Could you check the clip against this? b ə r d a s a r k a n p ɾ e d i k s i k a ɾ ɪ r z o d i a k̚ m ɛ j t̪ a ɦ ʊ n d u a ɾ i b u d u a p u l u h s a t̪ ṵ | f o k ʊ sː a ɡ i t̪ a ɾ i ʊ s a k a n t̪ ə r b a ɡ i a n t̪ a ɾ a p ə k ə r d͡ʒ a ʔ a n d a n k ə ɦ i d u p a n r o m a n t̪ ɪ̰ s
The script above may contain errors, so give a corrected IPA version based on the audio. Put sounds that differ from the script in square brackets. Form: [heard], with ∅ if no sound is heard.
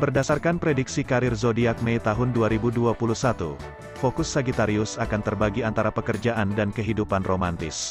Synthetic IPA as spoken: b ə r d a s a r k a n p ɾ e d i k s i k a ɾ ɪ r z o d i a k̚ m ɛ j t̪ a ɦ ʊ n d u a ɾ i b u d u a p u l u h s a t̪ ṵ | f o k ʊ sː a ɡ i t̪ a ɾ i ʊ s a k a n t̪ ə r b a ɡ i a n t̪ a ɾ a p ə k ə r d͡ʒ a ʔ a n d a n k ə ɦ i d u p a n r o m a n t̪ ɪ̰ s